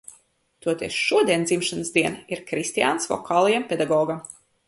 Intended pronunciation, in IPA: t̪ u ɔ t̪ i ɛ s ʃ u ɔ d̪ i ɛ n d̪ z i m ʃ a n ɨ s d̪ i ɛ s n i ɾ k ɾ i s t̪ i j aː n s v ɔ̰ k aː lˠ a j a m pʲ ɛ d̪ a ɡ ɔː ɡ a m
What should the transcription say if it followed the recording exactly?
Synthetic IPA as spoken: t̪ u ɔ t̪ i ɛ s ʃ u ɔ d̪ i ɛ n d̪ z i m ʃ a n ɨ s d̪ i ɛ n i ɾ k ɾ i s t̪ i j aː n s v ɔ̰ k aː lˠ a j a m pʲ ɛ d̪ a ɡ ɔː ɡ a m